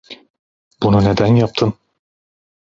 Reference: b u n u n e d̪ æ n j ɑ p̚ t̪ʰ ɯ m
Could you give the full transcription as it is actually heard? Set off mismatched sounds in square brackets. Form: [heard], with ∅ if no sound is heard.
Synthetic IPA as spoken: b u n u n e d̪ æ n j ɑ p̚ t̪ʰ ɯ [n]

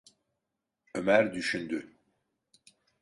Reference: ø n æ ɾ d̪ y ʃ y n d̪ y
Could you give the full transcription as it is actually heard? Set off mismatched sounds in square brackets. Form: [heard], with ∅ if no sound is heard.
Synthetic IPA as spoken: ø [m] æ ɾ d̪ y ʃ y n d̪ y

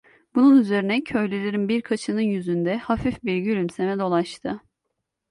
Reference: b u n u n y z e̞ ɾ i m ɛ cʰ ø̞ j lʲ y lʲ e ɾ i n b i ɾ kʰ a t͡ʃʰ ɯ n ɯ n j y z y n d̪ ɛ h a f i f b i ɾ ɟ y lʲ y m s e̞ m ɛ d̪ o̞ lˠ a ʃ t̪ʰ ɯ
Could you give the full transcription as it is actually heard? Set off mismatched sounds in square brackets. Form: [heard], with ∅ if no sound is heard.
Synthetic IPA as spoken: b u n u n y z e̞ ɾ i [n] ɛ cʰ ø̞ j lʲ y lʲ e ɾ i n b i ɾ kʰ a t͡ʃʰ ɯ n ɯ n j y z y n d̪ ɛ h a f i f b i ɾ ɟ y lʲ y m s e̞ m ɛ d̪ o̞ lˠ a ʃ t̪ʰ ɯ

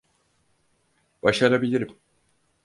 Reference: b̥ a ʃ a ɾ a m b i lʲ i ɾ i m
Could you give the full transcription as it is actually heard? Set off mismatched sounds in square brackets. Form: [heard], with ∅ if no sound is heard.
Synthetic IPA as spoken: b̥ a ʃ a ɾ a [∅] b i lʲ i ɾ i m

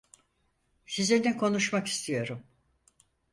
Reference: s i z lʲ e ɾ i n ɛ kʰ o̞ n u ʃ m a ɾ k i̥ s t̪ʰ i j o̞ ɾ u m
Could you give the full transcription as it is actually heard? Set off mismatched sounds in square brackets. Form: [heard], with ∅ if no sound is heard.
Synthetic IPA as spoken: s i z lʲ e ɾ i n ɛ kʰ o̞ n u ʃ m a [∅] k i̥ s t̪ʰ i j o̞ ɾ u m

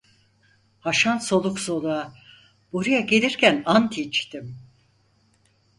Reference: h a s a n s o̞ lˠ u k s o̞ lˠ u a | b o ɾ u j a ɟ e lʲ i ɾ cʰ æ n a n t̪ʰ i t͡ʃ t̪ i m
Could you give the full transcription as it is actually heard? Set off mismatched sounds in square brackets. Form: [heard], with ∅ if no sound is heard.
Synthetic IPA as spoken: h a [ʃ] a n s o̞ lˠ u k s o̞ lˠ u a | b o ɾ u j a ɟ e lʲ i ɾ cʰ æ n a n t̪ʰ i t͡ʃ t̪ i m

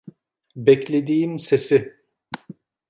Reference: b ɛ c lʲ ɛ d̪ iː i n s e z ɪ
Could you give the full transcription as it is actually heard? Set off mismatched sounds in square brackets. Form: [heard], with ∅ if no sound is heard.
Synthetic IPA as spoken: b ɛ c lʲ [e] d̪ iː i [m] s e [s] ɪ

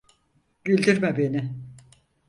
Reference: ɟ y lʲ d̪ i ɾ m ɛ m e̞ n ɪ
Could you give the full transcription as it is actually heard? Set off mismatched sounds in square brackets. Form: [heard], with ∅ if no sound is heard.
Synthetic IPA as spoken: ɟ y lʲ d̪ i ɾ m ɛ [b] e̞ n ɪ

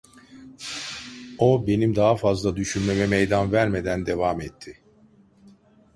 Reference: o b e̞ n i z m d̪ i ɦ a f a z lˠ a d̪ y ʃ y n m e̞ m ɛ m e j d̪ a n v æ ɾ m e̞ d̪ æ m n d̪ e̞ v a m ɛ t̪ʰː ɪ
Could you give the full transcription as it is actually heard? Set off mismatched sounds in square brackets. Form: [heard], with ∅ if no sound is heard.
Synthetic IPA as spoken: o b e̞ n i [∅] m d̪ [a] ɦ a f a z lˠ a d̪ y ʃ y n m e̞ m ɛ m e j d̪ a n v æ ɾ m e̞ d̪ æ [∅] n d̪ e̞ v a m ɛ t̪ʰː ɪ

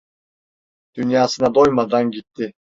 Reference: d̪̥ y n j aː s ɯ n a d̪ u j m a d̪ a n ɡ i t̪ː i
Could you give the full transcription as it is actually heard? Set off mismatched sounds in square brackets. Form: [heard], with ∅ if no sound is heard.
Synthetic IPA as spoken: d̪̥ y n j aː s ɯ n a d̪ [o] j m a d̪ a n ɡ i t̪ː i

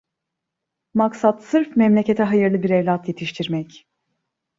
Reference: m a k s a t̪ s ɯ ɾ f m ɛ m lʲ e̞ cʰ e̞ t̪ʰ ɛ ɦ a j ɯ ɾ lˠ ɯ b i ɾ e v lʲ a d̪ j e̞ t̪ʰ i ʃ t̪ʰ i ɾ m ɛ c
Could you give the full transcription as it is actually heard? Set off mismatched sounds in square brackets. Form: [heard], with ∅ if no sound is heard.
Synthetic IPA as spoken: m a k s a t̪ s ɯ ɾ f m ɛ m lʲ e̞ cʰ e̞ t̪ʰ ɛ ɦ a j ɯ ɾ lˠ ɯ b i ɾ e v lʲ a [t̪] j e̞ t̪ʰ i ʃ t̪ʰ i ɾ m ɛ c

